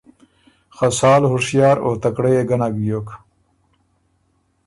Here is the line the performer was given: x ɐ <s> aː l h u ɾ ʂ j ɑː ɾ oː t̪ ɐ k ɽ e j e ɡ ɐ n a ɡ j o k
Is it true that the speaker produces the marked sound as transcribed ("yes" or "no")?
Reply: yes